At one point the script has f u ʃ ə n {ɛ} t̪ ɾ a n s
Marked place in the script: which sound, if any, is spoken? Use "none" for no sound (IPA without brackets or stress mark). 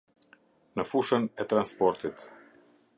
ɛ